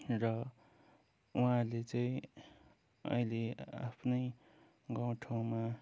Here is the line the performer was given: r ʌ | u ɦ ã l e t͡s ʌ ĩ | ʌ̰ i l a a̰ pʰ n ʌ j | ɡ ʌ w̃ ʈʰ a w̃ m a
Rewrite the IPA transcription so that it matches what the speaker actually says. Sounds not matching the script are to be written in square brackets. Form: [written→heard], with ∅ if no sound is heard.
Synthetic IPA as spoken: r ʌ | u ɦ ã l e t͡s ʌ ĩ | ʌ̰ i l [a→e] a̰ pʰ n ʌ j | ɡ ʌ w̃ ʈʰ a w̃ m a